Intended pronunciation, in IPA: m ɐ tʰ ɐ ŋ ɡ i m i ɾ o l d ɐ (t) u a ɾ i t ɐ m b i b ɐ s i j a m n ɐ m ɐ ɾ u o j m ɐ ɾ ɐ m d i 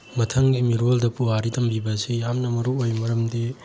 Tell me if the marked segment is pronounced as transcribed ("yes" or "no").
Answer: no